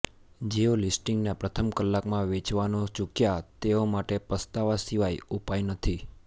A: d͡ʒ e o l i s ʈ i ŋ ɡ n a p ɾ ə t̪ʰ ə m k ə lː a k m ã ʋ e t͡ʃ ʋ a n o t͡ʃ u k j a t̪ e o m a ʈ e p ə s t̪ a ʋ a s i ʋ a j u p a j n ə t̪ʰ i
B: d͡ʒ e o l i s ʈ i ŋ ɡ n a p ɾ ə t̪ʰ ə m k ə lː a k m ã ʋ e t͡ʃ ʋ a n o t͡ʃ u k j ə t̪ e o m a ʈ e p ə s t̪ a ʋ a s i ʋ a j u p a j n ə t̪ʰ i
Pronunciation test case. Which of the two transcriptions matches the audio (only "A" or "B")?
A